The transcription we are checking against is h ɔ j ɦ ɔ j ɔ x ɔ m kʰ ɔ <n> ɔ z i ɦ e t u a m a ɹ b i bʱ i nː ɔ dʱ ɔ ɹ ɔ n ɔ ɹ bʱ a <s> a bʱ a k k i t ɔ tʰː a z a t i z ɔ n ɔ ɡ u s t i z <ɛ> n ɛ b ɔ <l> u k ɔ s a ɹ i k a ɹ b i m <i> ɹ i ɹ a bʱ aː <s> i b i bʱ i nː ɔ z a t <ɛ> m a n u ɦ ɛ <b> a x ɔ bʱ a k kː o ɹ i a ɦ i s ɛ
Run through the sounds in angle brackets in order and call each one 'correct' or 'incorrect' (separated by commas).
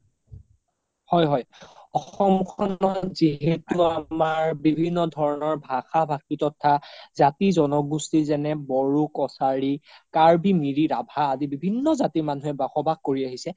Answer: correct, incorrect, correct, incorrect, correct, incorrect, incorrect, correct